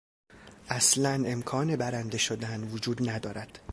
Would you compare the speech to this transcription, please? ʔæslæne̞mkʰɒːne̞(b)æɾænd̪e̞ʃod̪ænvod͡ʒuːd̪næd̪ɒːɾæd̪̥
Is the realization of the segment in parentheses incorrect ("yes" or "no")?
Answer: no